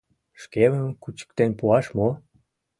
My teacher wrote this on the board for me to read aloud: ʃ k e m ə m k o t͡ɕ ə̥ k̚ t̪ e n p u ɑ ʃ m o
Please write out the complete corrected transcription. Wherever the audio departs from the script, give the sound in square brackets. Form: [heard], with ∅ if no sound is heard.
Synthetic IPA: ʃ k e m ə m k [u] t͡ɕ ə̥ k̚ t̪ e n p u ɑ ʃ m o